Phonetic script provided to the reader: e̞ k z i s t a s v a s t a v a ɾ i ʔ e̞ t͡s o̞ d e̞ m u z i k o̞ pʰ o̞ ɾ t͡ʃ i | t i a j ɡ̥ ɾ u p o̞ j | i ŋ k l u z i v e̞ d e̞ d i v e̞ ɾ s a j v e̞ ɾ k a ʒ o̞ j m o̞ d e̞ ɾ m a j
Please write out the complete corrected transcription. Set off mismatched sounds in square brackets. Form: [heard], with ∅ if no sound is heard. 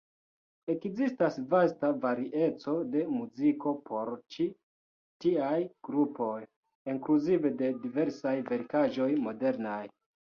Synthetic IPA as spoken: e̞ k z i s t a s v a s t a v a ɾ i ʔ e̞ t͡s o̞ d e̞ m u z i k o̞ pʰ o̞ ɾ t͡ʃ i | t i a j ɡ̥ ɾ u p o̞ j | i ŋ k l u z i v e̞ d e̞ d i v e̞ ɾ s a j v e̞ ɾ k a ʒ o̞ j m o̞ d e̞ ɾ [n] a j